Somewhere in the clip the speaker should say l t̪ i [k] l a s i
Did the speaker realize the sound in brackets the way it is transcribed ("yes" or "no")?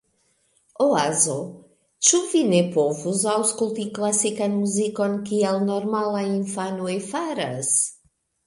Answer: yes